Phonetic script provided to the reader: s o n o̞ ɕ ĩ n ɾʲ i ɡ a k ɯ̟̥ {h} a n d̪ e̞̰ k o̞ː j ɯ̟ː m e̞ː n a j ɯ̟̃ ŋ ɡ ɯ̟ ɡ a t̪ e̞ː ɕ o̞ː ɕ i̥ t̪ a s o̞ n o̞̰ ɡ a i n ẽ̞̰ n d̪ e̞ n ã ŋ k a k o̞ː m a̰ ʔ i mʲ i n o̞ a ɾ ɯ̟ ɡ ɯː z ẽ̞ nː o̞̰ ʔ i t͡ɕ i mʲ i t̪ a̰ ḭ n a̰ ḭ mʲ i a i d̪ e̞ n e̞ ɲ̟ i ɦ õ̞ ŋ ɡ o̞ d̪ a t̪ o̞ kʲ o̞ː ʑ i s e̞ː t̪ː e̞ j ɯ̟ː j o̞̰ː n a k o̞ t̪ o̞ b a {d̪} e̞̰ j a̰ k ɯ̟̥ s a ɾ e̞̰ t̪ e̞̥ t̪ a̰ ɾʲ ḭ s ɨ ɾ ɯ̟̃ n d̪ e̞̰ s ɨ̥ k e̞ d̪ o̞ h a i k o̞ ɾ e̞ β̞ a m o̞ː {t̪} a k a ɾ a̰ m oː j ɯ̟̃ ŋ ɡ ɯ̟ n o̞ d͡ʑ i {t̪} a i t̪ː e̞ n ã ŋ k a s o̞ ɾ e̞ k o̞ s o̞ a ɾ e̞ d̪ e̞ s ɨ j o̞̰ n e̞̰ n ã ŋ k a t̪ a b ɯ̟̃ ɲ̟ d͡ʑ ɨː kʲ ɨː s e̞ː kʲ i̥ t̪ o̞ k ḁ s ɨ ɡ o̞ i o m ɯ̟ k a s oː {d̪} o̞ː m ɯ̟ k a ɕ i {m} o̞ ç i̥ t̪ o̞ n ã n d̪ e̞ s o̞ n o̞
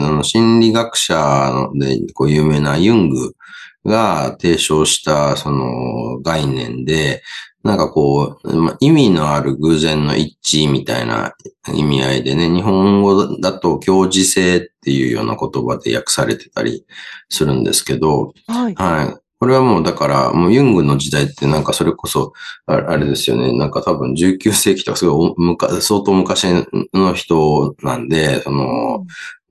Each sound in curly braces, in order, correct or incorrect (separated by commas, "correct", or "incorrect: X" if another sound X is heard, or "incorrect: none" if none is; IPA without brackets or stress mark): incorrect: ɕ, correct, incorrect: d̪, incorrect: d̪, incorrect: t̪, incorrect: n